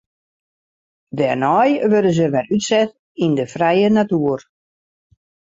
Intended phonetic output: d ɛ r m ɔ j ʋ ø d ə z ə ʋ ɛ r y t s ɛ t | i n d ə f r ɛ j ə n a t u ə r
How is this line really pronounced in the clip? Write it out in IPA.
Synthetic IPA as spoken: d ɛ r n ɔ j ʋ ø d ə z ə ʋ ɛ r y t s ɛ t | i n d ə f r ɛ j ə n a t u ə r